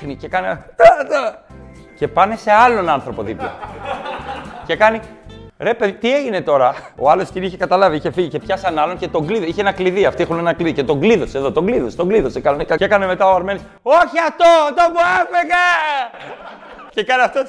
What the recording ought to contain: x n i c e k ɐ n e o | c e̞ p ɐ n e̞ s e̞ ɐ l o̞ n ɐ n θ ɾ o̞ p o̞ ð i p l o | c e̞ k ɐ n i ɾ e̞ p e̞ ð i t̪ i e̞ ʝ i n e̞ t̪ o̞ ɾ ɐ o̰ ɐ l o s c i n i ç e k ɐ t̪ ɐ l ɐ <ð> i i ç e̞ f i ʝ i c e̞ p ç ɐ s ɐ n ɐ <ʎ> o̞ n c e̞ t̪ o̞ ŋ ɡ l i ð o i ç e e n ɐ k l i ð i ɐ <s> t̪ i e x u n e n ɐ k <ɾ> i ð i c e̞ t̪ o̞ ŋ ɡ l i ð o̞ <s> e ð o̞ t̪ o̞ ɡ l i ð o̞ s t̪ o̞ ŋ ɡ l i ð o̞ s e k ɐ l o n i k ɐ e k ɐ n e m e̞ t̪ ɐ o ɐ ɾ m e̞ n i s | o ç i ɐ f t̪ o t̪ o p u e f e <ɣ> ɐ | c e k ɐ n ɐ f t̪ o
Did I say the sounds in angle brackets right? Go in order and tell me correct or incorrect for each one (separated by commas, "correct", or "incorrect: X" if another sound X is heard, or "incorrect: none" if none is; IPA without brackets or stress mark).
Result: incorrect: v, incorrect: l, incorrect: f, incorrect: l, correct, correct